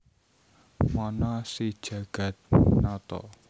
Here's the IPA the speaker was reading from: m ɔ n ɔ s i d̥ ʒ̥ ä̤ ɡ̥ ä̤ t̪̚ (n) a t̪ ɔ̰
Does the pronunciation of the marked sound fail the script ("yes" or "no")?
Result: no